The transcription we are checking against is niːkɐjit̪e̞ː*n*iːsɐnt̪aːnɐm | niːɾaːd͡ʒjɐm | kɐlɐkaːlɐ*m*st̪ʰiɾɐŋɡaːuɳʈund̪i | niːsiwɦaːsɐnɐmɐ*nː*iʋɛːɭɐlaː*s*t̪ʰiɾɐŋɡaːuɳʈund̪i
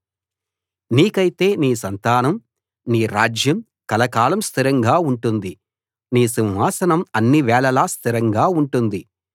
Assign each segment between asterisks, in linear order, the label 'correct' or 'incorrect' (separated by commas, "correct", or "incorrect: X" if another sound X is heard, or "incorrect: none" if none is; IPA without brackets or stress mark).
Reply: correct, correct, correct, correct